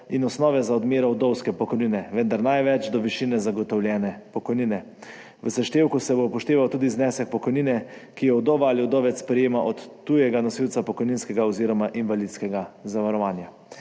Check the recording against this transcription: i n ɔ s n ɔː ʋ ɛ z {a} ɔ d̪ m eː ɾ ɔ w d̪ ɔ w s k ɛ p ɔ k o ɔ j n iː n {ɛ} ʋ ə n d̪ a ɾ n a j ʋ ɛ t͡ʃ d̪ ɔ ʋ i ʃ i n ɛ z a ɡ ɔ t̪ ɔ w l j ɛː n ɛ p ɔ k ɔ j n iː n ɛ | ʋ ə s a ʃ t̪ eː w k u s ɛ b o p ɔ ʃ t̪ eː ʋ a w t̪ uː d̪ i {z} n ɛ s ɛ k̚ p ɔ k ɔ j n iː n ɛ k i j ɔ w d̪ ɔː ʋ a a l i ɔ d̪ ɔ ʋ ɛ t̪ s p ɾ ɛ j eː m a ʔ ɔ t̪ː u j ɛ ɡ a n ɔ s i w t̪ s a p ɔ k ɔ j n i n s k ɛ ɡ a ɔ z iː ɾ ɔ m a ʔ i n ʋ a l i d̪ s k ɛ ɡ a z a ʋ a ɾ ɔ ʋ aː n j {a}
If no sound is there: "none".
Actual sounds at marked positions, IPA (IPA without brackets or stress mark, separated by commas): a, ɛ, z, a